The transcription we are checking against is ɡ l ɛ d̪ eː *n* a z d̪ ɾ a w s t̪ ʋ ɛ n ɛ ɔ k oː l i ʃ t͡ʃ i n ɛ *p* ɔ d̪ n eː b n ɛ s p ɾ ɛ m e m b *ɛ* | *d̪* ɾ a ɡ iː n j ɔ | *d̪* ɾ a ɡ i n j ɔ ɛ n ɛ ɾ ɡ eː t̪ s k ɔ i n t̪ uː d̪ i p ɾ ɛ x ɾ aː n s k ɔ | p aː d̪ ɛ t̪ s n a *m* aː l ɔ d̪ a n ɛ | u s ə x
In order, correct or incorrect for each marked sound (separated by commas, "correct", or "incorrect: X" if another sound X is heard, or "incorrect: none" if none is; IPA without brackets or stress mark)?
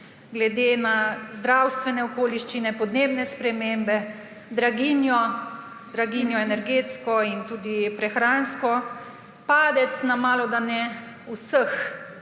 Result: correct, correct, correct, correct, correct, correct